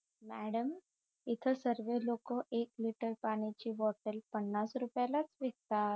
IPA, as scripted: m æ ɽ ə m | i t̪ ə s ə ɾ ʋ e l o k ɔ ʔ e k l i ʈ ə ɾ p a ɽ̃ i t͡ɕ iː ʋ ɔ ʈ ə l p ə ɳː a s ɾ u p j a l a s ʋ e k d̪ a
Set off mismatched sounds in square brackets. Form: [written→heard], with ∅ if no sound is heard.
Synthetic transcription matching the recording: m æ ɽ ə m | i [t̪→t̪ʰ] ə s ə ɾ ʋ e l o k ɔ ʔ e k l i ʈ ə ɾ p a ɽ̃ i t͡ɕ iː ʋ ɔ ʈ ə l p ə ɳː a s ɾ u p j a l a [s→t͡s] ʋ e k [d̪→t̪] a

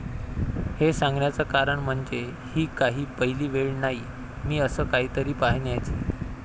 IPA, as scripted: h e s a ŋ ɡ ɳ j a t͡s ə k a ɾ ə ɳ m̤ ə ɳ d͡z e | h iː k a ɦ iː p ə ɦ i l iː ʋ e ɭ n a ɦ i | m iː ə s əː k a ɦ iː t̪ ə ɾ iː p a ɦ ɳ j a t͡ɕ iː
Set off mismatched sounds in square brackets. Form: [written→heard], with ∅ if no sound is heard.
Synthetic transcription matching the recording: h e s a ŋ ɡ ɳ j a t͡s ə k a ɾ ə ɳ m̤ ə ɳ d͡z e | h iː k a ɦ iː p ə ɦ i l iː ʋ e ɭ n a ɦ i | m iː ə s əː k a ɦ iː t̪ ə ɾ iː p a ɦ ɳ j a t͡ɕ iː

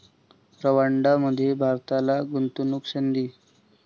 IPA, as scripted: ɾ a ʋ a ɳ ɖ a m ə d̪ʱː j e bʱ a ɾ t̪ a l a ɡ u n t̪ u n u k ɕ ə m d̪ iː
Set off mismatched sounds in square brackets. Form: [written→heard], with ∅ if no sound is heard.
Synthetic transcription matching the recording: ɾ [a→ə] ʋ a ɳ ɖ a m ə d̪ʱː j e bʱ a ɾ t̪ a l a ɡ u n t̪ u n u k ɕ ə [m→n] d̪ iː

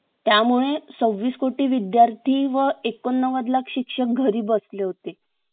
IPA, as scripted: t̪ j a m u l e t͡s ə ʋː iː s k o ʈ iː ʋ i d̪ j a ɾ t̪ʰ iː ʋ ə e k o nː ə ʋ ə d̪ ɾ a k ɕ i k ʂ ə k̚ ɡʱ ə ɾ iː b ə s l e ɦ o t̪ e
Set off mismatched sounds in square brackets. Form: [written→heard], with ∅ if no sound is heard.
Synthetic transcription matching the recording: t̪ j a m u [l→ɭ] e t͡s ə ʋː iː s k o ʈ iː ʋ i d̪ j a ɾ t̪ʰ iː ʋ ə e k o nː ə ʋ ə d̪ [ɾ→l] a k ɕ i k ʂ ə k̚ ɡʱ ə ɾ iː b ə s l e ɦ o t̪ e

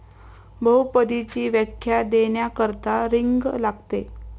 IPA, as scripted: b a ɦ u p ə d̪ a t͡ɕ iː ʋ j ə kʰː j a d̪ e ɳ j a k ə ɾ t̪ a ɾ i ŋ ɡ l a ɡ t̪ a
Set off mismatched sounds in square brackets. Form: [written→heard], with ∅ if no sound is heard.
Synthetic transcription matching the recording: b [a→ə] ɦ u p ə d̪ [a→i] t͡ɕ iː ʋ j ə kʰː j a d̪ e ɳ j a k ə ɾ t̪ a ɾ i ŋ ɡ l a ɡ t̪ [a→e]

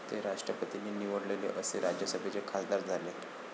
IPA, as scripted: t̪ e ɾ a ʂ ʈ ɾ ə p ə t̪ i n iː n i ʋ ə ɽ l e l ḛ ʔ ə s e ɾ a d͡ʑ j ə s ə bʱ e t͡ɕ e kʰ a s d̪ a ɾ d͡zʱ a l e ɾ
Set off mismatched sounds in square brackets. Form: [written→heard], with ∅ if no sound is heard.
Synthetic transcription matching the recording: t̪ e ɾ a ʂ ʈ ɾ ə p ə t̪ i n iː n i ʋ ə ɽ l e l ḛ ʔ ə s e ɾ a d͡ʑ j ə s ə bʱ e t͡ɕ e kʰ a s d̪ a ɾ d͡zʱ a l e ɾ

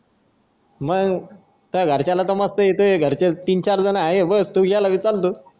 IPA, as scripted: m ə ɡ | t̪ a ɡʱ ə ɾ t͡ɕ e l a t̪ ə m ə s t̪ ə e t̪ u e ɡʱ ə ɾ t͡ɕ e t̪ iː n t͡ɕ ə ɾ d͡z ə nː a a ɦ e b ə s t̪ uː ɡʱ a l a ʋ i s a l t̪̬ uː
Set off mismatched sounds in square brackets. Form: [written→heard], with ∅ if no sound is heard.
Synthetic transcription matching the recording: m ə ɡ | t̪ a ɡʱ ə ɾ t͡ɕ [e→a] l a t̪ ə m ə s t̪ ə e t̪ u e ɡʱ ə ɾ t͡ɕ e t̪ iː n t͡ɕ [ə→a] ɾ d͡z ə [nː→n] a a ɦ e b ə s t̪ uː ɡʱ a l a ʋ i [s→t͡s] a l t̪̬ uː

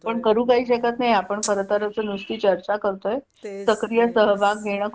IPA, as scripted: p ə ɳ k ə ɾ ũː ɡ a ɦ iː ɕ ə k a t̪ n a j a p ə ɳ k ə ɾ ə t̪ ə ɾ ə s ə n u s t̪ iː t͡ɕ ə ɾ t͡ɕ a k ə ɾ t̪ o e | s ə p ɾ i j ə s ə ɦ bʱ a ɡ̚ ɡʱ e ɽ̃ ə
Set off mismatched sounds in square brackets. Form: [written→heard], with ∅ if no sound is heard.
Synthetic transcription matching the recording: p ə ɳ k ə ɾ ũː [ɡ→k] a ɦ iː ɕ ə k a t̪ n a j a p ə ɳ k ə ɾ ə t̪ ə ɾ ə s ə n u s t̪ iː t͡ɕ ə ɾ t͡ɕ a k ə ɾ t̪ o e | s ə [p→k] ɾ i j ə s ə ɦ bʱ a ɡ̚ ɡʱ e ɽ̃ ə

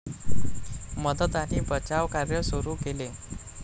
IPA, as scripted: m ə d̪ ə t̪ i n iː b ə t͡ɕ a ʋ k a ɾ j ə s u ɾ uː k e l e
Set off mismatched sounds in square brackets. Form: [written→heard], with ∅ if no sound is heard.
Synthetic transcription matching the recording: m ə d̪ ə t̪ [i→a] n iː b ə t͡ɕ a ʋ k a ɾ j ə s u ɾ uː k e l e

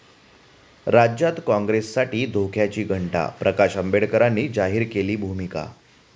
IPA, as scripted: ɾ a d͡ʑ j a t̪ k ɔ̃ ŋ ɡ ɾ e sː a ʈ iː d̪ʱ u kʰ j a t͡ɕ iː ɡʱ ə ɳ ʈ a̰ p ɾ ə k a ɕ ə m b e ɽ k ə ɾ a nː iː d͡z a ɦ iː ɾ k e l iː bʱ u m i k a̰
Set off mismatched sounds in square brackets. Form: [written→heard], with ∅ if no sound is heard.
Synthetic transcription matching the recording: ɾ a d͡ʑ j a t̪ k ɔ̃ ŋ ɡ ɾ e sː a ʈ iː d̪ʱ [u→o] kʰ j a t͡ɕ iː ɡʱ ə ɳ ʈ a̰ p ɾ ə k a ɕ ə m b e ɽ k ə ɾ a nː iː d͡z a ɦ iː ɾ k e l iː bʱ u m i k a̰

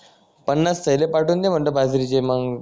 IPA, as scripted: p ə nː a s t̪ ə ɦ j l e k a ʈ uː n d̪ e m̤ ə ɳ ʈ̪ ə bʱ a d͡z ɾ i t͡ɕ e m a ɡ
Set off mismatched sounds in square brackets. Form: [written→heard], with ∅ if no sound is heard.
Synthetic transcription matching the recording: p ə nː a s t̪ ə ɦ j l e [k→p] a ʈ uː n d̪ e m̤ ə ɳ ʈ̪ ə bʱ a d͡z ɾ i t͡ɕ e m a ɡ

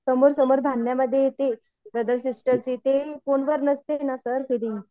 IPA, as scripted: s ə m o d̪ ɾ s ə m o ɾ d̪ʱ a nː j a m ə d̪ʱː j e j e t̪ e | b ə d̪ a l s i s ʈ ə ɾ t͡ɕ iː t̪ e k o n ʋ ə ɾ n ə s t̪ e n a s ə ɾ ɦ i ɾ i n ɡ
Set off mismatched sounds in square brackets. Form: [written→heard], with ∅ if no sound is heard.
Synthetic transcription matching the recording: s ə m o [d̪→∅] ɾ s ə m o ɾ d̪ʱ a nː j a m ə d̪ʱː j e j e t̪ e | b ə d̪ [a→ə] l s i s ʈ ə ɾ t͡ɕ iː t̪ e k o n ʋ ə ɾ n ə s t̪ e n a s ə ɾ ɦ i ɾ i [n→ŋ] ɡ

